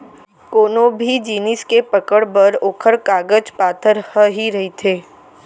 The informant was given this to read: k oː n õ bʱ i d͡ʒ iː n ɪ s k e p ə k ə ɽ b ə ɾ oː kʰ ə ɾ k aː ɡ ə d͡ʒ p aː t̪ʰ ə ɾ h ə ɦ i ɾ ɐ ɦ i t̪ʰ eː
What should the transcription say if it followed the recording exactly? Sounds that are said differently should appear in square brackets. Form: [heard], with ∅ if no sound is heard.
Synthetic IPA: k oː n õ bʱ i d͡ʒ iː n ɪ s k e p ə k ə ɽ b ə ɾ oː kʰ ə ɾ k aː ɡ ə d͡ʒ p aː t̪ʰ ə ɾ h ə ɦ i ɾ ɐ ɦ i t̪ʰ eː